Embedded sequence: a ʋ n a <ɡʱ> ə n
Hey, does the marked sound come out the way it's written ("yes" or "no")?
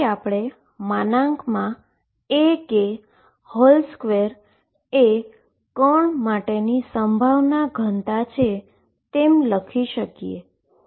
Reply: yes